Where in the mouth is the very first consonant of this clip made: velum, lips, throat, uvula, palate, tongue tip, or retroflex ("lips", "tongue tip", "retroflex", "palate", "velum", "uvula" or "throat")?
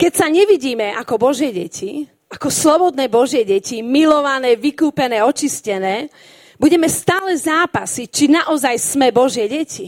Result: velum